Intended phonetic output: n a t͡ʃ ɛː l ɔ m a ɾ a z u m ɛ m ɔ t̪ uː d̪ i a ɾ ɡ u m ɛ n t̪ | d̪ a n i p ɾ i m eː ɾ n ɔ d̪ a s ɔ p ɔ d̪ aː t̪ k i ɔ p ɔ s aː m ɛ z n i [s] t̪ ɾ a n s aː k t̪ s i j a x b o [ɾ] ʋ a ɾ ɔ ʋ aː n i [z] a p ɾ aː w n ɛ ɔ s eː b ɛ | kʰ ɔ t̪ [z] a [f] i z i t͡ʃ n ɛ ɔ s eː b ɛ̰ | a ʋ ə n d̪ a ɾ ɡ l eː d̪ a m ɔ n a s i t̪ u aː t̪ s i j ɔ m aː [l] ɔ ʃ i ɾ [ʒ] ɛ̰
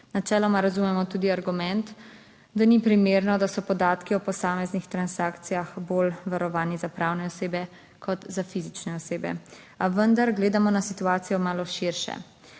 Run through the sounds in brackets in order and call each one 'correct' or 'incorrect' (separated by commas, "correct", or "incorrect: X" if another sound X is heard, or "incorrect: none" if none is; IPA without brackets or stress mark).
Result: incorrect: x, incorrect: l, correct, correct, correct, correct, incorrect: ʃ